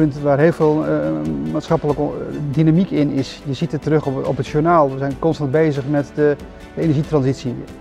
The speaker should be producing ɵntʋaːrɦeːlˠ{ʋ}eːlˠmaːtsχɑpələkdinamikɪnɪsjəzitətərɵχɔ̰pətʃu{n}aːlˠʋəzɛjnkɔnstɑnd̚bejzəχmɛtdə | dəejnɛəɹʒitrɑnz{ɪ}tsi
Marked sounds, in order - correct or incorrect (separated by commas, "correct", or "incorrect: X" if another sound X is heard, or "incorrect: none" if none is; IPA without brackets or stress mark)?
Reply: incorrect: v, correct, incorrect: i